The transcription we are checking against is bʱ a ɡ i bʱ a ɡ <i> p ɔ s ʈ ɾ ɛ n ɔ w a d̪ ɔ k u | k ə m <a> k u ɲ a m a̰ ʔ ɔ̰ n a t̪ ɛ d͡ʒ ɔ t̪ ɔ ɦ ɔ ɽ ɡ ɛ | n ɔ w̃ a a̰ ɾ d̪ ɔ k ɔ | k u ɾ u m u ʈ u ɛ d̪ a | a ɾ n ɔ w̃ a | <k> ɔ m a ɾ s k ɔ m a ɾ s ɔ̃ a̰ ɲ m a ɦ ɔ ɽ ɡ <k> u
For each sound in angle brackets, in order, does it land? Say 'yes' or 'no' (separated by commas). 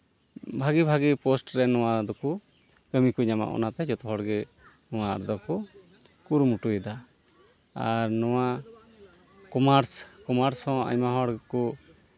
yes, no, yes, yes